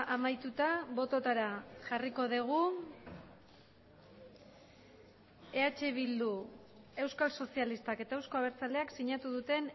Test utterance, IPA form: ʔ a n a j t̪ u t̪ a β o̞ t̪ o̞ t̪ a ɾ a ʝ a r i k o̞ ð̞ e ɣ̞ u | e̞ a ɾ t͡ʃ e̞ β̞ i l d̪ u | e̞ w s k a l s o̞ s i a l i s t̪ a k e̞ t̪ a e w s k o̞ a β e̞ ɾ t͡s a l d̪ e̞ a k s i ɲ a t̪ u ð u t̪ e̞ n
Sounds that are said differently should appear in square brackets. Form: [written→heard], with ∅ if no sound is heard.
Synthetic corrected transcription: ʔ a [n→m] a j t̪ u t̪ a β o̞ t̪ o̞ t̪ a ɾ a ʝ a r i k o̞ ð̞ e ɣ̞ u | e̞ a [ɾ→∅] t͡ʃ e̞ β̞ i l d̪ u | e̞ w s k a l s o̞ s i a l i s t̪ a k e̞ t̪ a e w s k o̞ a β e̞ ɾ t͡s a l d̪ e̞ a k s i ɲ a t̪ u ð u t̪ e̞ n